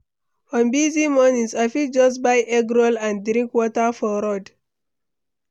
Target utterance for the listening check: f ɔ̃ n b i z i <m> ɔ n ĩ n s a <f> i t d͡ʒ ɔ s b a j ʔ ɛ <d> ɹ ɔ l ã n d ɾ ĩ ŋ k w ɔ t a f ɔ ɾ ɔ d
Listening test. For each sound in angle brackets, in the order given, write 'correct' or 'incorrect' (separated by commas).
correct, correct, incorrect